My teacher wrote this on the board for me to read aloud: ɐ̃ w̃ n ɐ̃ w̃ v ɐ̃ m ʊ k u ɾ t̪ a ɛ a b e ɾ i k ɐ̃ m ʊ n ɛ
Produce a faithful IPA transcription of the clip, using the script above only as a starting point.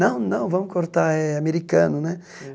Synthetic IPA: ɐ̃ w̃ n ɐ̃ w̃ v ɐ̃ m ʊ k o ɾ t̪ a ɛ a m e ɾ i k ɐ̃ n ʊ n ɛ